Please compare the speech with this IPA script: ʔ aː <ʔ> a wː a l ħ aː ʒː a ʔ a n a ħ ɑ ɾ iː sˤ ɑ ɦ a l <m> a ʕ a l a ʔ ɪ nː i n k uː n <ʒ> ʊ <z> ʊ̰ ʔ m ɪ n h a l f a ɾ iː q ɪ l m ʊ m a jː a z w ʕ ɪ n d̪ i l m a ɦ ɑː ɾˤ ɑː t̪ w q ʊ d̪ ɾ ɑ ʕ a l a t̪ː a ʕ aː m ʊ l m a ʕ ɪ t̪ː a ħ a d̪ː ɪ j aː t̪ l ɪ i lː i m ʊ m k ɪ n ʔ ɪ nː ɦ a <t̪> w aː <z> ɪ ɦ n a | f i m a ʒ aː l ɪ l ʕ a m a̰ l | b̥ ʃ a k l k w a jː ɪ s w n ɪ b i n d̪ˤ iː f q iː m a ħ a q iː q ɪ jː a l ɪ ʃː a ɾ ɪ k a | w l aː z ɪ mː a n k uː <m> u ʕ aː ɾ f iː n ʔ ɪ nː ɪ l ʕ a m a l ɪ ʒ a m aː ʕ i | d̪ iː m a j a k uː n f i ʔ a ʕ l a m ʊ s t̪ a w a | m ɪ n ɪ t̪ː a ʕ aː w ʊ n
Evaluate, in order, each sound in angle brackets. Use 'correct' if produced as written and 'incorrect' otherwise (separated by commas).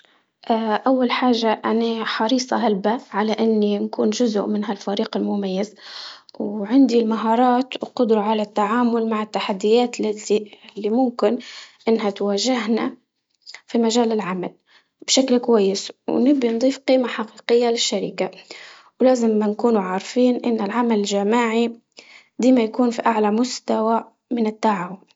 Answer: correct, incorrect, correct, correct, correct, incorrect, incorrect